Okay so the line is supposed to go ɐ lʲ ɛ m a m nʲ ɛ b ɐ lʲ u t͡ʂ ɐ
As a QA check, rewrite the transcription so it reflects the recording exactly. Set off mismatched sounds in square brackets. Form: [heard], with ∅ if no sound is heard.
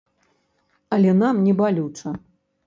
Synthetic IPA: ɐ lʲ ɛ [n] a m nʲ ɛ b [a] lʲ u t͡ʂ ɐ